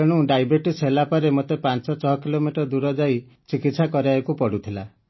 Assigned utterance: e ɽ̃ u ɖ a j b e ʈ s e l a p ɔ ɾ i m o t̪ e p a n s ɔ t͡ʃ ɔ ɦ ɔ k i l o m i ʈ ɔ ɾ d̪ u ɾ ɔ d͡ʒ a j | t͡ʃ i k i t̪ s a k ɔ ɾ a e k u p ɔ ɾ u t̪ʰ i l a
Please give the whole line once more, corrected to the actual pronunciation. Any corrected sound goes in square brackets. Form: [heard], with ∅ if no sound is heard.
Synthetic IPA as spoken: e ɽ̃ u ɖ a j b e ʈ s e l a p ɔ ɾ [e] m o t̪ e p a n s ɔ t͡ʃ ɔ ɦ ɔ k i l o m i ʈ ɔ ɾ d̪ u ɾ ɔ d͡ʒ a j | t͡ʃ i k i t̪ s a k ɔ ɾ a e k u p ɔ [ɽ] u t̪ʰ i l a